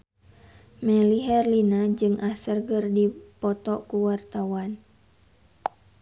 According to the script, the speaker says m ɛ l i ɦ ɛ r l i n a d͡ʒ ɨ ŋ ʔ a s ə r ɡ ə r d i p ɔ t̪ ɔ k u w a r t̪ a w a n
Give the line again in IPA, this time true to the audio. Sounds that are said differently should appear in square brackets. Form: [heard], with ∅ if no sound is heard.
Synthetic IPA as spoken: m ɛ l i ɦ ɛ r l i n a d͡ʒ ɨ ŋ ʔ a s ə r ɡ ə r d i p ɔ t̪ ɔ k u w a r t̪ a w a n